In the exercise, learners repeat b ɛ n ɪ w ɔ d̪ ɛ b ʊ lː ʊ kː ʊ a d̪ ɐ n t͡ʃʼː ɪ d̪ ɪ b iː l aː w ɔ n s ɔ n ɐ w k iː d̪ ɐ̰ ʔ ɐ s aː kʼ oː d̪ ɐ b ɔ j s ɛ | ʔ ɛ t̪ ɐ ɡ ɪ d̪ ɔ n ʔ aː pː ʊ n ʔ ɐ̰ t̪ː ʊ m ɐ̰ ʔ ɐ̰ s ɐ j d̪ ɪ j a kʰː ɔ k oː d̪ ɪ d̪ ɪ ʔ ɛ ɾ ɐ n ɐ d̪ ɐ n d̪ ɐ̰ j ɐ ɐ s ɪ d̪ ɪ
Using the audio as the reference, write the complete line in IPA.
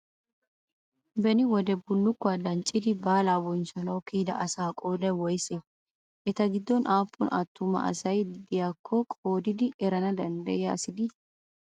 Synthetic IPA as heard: b ɛ n ɪ w ɔ d̪ ɛ b ʊ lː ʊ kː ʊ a d̪ ɐ n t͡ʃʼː ɪ d̪ ɪ b aː l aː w ɔ n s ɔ n ɐ w k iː d̪ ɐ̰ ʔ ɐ s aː kʼ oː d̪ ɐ w ɔ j s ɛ | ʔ ɛ t̪ ɐ ɡ ɪ d̪ː ɔ n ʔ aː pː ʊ n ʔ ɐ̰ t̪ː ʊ m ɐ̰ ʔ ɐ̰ s ɐ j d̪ ɪ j a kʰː ɔ kʼ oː d̪ ɪ d̪ ɪ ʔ ɛ ɾ ɐ n ɐ d̪ ɐ n d̪ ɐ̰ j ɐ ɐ s ɪ d̪ ɪ